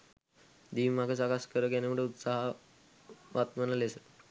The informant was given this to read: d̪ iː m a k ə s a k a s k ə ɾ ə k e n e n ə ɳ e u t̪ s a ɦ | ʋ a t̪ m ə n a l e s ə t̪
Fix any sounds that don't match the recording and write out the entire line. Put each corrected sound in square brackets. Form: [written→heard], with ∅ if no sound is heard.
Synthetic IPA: d̪ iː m a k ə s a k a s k ə ɾ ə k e n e [n→m] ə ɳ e u t̪ s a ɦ | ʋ a t̪ m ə n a l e s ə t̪